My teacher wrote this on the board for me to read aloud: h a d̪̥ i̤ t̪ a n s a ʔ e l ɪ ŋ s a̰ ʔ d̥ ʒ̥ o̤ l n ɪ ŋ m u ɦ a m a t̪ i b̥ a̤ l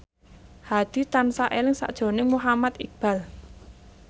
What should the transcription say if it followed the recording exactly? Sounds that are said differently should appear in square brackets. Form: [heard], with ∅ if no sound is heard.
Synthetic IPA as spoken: h a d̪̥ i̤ t̪ a n s a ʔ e l ɪ ŋ s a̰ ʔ d̥ ʒ̥ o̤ [∅] n ɪ ŋ m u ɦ a m a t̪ i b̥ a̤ l